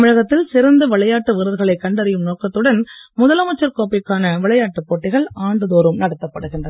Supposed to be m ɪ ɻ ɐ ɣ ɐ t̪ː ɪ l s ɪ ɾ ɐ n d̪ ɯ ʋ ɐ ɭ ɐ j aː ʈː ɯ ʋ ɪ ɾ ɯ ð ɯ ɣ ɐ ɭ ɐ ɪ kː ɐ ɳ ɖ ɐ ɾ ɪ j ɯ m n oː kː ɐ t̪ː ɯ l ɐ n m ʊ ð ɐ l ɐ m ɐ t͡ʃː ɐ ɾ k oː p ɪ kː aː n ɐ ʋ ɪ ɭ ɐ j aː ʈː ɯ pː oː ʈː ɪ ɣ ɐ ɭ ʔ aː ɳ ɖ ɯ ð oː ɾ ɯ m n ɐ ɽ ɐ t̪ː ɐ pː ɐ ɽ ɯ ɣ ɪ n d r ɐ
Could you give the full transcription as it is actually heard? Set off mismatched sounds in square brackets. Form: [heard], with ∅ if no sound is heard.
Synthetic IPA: m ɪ ɻ ɐ ɣ ɐ t̪ː ɪ l s ɪ ɾ ɐ n d̪ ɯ ʋ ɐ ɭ ɐ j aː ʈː ɯ ʋ ɪ ɾ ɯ ð ɯ ɣ ɐ ɭ ɐ ɪ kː ɐ ɳ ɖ ɐ ɾ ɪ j ɯ m n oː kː ɐ t̪ː ɯ [ɽ] ɐ n m ʊ ð ɐ l ɐ m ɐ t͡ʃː ɐ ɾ k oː p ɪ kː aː n ɐ ʋ ɪ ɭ ɐ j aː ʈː ɯ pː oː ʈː ɪ ɣ ɐ ɭ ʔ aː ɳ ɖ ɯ ð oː ɾ ɯ m n ɐ ɽ ɐ t̪ː ɐ pː ɐ ɽ ɯ ɣ ɪ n d r ɐ

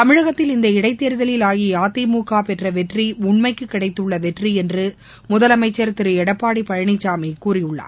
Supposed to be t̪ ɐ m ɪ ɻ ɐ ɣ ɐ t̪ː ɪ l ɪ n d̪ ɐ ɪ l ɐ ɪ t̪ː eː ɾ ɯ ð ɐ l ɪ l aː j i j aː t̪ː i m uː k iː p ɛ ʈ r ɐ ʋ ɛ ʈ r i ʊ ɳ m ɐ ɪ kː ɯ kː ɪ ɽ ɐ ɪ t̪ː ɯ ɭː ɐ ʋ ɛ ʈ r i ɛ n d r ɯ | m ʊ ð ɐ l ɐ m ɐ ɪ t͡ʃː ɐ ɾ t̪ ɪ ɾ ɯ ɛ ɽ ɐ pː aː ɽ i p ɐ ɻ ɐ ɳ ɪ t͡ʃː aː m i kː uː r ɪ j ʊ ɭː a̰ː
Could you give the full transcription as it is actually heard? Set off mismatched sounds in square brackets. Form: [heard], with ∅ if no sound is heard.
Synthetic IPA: t̪ ɐ m ɪ ɻ ɐ ɣ ɐ t̪ː ɪ l ɪ n d̪ ɐ ɪ [ɽ] ɐ ɪ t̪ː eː ɾ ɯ ð ɐ l ɪ l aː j i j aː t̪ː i m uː k [aː] p ɛ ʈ r ɐ ʋ ɛ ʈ r i ʊ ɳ m ɐ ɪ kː ɯ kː ɪ ɽ ɐ ɪ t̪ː ɯ ɭː ɐ ʋ ɛ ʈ r i ɛ n d r ɯ | m ʊ ð ɐ l ɐ m ɐ ɪ t͡ʃː ɐ ɾ t̪ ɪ ɾ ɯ ɛ ɽ ɐ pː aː ɽ i p ɐ ɻ ɐ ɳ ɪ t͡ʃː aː m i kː uː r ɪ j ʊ ɭː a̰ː

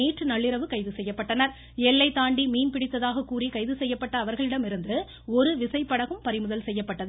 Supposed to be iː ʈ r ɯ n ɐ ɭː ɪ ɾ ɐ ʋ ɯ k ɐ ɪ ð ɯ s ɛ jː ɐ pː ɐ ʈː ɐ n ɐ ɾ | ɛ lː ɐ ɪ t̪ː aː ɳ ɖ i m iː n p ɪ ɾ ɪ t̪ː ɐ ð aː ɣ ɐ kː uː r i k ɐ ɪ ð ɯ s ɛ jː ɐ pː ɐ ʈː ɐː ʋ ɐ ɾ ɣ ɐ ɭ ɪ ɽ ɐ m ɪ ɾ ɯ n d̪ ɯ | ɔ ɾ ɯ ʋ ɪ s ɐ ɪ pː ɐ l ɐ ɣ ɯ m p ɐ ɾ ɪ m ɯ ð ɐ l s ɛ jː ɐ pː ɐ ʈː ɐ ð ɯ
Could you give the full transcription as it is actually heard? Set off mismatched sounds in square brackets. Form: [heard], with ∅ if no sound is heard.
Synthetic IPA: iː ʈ r ɯ n ɐ ɭː ɪ ɾ ɐ ʋ ɯ k ɐ ɪ ð ɯ s ɛ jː ɐ pː ɐ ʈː ɐ n ɐ ɾ | ɛ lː ɐ ɪ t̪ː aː ɳ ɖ i m iː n p ɪ [ɽ] ɪ t̪ː ɐ ð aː ɣ ɐ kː uː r i k ɐ ɪ ð ɯ s ɛ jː ɐ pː ɐ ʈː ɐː ʋ ɐ ɾ ɣ ɐ ɭ ɪ ɽ ɐ m ɪ ɾ ɯ n d̪ ɯ | ɔ ɾ ɯ ʋ ɪ s ɐ ɪ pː ɐ [ɽ] ɐ ɣ ɯ m p ɐ ɾ ɪ m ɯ ð ɐ l s ɛ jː ɐ pː ɐ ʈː ɐ ð ɯ

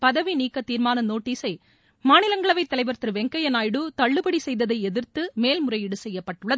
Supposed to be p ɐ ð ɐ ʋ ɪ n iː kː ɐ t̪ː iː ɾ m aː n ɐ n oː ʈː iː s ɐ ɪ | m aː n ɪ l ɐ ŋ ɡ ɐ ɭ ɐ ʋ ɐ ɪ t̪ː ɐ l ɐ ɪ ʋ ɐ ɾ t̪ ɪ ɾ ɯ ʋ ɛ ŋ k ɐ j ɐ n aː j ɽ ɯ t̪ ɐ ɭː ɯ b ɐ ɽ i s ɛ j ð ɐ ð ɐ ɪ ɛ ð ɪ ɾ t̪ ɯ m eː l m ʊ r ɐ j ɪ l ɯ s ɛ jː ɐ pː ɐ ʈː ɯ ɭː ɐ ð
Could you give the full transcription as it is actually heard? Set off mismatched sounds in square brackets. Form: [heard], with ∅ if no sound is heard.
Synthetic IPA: p ɐ ð ɐ ʋ [i] n iː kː ɐ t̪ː iː ɾ m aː n ɐ n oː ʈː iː s ɐ ɪ | m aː n ɪ l ɐ ŋ ɡ ɐ ɭ ɐ ʋ ɐ ɪ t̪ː ɐ l ɐ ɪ ʋ ɐ ɾ t̪ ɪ ɾ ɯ ʋ ɛ ŋ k ɐ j ɐ n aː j ɽ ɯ t̪ ɐ ɭː ɯ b ɐ ɽ i s ɛ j ð ɐ ð ɐ ɪ ɛ ð ɪ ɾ t̪ ɯ m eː l m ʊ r ɐ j ɪ [ɽ] ɯ s ɛ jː ɐ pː ɐ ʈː ɯ ɭː ɐ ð

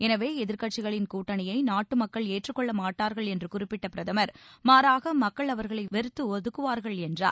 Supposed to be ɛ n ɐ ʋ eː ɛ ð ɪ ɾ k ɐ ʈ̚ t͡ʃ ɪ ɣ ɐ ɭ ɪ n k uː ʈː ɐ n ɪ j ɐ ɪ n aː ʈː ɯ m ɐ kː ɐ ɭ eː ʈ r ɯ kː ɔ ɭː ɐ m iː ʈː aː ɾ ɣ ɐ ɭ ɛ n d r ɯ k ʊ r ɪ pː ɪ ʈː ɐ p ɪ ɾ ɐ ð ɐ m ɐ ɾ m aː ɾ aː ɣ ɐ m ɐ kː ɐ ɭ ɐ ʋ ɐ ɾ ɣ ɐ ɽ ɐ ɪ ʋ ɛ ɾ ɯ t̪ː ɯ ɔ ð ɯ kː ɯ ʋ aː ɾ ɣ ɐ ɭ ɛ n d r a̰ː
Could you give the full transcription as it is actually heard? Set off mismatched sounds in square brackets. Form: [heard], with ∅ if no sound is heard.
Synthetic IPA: ɛ n ɐ ʋ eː ɛ ð ɪ ɾ k ɐ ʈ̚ t͡ʃ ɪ ɣ ɐ ɭ ɪ n k uː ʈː ɐ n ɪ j ɐ ɪ n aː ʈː ɯ m ɐ kː ɐ ɭ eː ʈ r ɯ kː ɔ ɭː ɐ m [aː] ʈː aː ɾ ɣ ɐ ɭ ɛ n d r ɯ k ʊ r ɪ pː ɪ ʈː ɐ p ɪ ɾ ɐ ð ɐ m ɐ ɾ m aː ɾ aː ɣ ɐ m ɐ kː ɐ ɭ ɐ ʋ ɐ ɾ ɣ ɐ [ɭ] ɐ ɪ ʋ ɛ ɾ ɯ t̪ː ɯ ɔ ð ɯ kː ɯ ʋ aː ɾ ɣ ɐ ɭ ɛ n d r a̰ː

